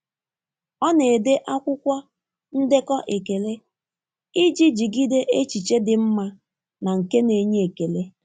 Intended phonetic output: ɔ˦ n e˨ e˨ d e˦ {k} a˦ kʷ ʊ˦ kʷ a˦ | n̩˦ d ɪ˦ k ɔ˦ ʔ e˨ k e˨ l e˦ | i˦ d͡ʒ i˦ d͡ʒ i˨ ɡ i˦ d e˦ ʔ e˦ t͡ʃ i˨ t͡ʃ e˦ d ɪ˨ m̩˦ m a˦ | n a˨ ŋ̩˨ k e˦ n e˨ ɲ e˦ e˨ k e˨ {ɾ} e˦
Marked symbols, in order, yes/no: no, no

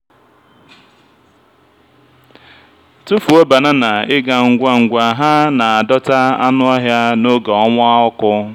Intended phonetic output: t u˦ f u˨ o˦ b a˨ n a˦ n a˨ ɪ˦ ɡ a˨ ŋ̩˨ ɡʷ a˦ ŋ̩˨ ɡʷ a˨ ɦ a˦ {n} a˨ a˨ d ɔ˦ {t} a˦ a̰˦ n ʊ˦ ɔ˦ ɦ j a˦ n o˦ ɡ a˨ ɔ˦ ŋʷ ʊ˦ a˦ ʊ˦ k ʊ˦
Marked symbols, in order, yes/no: yes, yes

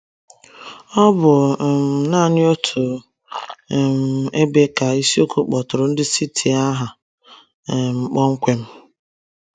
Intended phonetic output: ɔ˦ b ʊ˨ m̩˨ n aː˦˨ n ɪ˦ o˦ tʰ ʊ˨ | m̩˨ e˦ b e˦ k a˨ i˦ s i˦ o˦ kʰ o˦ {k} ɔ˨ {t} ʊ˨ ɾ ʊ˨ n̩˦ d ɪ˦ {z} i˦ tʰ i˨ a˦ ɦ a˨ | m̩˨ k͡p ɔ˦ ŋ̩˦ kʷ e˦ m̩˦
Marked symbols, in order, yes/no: no, yes, no

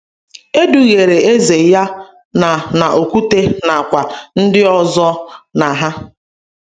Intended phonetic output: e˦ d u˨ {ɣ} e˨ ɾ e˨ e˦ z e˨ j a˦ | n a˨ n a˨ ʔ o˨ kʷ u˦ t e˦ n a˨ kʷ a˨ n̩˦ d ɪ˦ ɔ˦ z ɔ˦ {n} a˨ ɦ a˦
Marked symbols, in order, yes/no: yes, yes

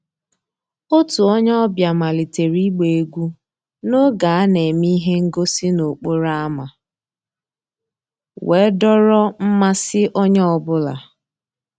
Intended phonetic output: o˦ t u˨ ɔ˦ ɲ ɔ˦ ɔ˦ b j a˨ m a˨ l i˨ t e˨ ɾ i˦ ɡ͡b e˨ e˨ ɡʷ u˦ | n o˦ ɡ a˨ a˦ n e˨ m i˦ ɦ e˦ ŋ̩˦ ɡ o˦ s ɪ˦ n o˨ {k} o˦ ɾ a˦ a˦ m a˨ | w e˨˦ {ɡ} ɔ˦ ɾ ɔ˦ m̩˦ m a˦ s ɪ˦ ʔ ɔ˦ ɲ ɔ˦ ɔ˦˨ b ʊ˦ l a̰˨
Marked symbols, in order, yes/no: no, no

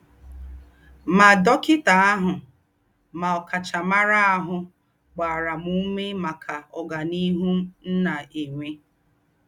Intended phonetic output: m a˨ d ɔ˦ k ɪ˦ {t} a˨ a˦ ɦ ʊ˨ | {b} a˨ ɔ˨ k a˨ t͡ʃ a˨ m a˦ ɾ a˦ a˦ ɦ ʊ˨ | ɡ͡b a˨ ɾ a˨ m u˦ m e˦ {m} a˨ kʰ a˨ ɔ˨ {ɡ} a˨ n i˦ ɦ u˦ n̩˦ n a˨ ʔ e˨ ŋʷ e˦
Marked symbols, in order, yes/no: yes, no, yes, yes

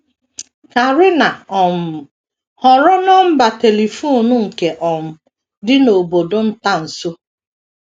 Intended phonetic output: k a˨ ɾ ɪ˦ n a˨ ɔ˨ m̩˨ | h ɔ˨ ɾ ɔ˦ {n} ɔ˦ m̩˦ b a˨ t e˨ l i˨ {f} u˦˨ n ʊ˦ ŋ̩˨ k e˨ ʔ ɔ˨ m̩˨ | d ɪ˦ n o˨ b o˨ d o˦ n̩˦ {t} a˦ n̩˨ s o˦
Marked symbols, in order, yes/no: yes, yes, yes

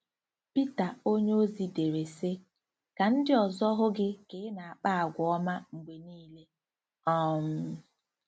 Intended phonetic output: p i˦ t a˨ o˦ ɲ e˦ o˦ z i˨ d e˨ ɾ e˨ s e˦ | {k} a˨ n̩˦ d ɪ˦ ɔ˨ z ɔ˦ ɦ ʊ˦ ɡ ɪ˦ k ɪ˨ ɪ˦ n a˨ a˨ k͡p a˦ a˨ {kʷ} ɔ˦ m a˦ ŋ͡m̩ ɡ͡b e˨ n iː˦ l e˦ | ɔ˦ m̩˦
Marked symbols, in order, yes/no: yes, no

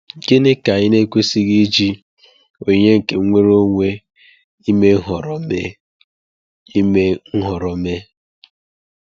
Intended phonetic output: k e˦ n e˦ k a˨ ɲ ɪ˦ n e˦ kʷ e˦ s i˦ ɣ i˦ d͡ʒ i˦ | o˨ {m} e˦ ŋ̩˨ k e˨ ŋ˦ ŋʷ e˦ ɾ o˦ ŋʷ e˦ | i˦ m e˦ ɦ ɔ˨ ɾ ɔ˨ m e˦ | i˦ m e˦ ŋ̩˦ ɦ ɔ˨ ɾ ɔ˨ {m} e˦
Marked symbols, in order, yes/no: no, yes

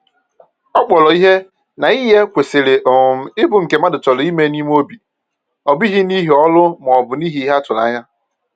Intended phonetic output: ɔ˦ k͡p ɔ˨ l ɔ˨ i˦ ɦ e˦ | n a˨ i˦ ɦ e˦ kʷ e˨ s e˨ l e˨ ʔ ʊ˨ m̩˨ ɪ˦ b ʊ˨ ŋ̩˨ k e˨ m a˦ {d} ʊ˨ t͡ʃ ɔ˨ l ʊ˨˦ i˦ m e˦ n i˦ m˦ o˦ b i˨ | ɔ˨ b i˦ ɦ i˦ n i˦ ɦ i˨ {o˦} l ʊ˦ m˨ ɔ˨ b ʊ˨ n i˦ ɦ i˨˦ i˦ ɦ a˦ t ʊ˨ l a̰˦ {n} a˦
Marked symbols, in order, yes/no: yes, no, no

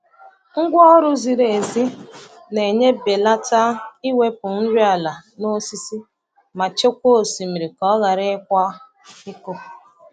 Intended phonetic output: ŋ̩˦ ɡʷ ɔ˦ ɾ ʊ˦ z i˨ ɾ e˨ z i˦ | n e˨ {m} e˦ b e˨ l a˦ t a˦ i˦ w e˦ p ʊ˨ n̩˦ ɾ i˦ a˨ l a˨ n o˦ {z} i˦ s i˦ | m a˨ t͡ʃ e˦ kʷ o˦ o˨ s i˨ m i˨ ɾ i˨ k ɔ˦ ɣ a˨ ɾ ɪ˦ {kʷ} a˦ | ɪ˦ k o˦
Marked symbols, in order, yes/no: no, no, yes

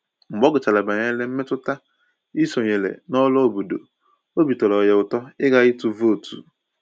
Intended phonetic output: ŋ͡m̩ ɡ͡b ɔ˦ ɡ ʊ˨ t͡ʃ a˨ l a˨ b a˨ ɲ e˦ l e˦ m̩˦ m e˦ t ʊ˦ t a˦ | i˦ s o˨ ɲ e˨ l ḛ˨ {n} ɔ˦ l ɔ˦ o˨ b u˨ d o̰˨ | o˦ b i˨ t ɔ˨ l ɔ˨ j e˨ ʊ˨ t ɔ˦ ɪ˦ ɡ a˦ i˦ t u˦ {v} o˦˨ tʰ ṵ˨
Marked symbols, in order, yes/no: yes, yes

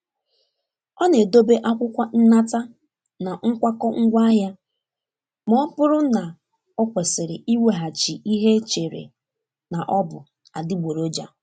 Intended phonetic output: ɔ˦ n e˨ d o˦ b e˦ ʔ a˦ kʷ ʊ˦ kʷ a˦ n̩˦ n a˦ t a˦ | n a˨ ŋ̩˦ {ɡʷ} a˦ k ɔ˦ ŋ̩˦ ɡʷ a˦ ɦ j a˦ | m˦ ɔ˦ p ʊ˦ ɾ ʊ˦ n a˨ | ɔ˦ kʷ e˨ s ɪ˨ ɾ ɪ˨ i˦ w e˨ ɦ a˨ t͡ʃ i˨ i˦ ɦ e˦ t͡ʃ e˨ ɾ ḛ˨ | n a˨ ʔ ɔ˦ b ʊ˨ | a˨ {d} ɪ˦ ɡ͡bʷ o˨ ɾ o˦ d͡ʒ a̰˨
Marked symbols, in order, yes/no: no, yes

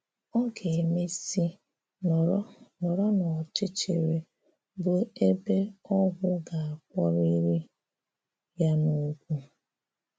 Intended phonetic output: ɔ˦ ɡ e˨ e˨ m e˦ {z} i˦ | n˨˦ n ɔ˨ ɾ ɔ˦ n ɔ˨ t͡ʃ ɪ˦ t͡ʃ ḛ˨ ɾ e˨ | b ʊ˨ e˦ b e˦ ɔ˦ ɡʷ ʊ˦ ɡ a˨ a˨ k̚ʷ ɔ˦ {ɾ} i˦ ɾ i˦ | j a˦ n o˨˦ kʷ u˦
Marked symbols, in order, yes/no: no, yes

